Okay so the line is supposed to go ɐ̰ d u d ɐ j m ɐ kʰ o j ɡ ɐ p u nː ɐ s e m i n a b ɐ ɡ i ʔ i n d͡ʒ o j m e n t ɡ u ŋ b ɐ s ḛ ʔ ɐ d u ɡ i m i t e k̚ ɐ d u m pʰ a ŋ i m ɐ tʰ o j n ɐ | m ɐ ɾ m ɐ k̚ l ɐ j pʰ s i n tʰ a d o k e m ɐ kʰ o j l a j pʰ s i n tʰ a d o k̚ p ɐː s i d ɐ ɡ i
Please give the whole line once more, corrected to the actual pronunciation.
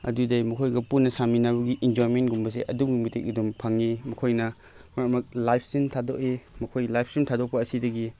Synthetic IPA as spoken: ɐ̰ d u d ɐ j m ɐ kʰ o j ɡ ɐ p u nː ɐ s a m i n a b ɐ ɡ i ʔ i n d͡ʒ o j m e n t ɡ u m b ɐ s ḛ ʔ ɐ d u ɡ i m i t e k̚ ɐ d u m pʰ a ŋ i m ɐ kʰ o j n ɐ | m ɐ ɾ m ɐ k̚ l a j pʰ s i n tʰ a d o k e m ɐ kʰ o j l a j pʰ s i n tʰ a d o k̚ p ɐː s i d ɐ ɡ i